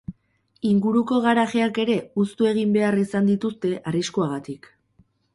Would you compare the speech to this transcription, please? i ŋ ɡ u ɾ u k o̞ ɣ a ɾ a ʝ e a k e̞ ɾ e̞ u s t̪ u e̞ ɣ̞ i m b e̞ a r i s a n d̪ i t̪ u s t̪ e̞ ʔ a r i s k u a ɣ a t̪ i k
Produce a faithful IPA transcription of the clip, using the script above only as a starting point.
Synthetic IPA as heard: i ŋ ɡ u ɾ u k o̞ ɣ a ɾ a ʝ e a k e̞ ɾ e̞ u s t̪ u e̞ ɣ̞ i m b e̞ a r i s a n d̪ i t̪ u s t̪ e̞ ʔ a r i s k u a ɣ a t̪ i k